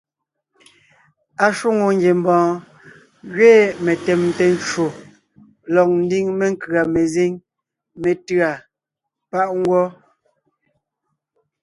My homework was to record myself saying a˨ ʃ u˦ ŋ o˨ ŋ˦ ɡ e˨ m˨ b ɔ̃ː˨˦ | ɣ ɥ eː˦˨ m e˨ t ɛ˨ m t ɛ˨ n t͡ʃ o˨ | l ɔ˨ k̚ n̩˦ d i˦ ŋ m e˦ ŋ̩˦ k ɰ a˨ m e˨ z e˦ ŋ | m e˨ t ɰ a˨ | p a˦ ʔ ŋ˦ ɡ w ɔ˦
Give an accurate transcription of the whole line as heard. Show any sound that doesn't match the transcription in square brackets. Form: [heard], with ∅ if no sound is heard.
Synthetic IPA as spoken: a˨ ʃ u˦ ŋ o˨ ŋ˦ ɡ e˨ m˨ b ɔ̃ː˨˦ | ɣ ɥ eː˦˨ m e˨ t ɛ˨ m t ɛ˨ n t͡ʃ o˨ | l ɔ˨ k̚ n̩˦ d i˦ ŋ m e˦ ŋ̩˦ k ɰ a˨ m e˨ z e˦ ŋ | m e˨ t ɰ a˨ | p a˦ ʔ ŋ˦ ɡ w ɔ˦